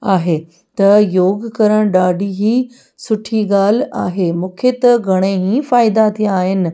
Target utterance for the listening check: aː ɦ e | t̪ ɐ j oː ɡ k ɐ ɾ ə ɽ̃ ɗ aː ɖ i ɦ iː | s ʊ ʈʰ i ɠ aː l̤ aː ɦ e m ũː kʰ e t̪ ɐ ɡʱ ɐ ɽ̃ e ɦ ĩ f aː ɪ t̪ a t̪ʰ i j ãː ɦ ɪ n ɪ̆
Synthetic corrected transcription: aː ɦ e | t̪ ɐ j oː ɡ k ɐ ɾ ə ɽ̃ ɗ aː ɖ i ɦ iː | s ʊ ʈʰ i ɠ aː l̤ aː ɦ e m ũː kʰ e t̪ ɐ ɡʱ ɐ ɽ̃ e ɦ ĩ f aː ɪ d̪ a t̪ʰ i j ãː ɦ ɪ n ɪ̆